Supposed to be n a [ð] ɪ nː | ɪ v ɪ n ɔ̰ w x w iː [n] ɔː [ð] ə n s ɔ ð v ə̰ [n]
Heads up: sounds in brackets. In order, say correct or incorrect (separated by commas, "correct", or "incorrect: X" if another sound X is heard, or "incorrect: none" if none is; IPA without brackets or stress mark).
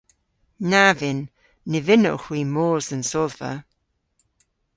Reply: incorrect: v, incorrect: m, incorrect: z, incorrect: none